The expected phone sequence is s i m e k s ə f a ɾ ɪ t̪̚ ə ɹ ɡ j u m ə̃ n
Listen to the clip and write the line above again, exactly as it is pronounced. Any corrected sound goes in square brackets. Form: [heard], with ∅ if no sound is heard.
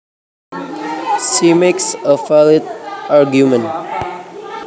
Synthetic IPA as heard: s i m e k s ə f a [l] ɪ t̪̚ [a] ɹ ɡ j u m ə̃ n

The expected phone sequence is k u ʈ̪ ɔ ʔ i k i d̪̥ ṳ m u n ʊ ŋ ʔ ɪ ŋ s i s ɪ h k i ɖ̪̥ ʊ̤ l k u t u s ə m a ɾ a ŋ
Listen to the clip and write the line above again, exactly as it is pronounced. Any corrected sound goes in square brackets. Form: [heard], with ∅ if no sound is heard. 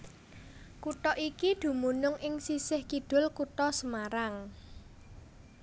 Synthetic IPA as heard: k u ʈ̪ ɔ ʔ i k i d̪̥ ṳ m u n ʊ ŋ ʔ ɪ ŋ s i s ɪ h k i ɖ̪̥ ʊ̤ l k u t [ɔ] s ə m a ɾ a ŋ

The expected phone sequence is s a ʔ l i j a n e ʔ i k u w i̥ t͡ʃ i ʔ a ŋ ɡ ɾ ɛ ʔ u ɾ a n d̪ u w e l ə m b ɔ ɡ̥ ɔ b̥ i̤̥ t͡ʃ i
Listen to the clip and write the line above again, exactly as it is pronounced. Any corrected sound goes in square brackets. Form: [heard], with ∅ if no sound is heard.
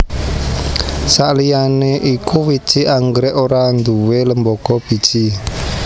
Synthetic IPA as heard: s a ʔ l i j a n e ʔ i k u w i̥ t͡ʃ i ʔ a ŋ ɡ ɾ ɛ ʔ [o] ɾ a n d̪ u w e l ə m b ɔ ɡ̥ ɔ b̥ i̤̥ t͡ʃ i

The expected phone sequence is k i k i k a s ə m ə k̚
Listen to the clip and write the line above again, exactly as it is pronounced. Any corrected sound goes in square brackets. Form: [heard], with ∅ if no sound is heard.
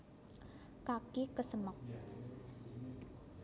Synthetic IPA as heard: k [a] k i k [ə] s ə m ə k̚

